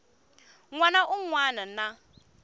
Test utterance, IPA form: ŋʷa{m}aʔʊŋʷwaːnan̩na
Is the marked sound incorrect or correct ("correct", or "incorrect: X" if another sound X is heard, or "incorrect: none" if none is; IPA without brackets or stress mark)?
incorrect: n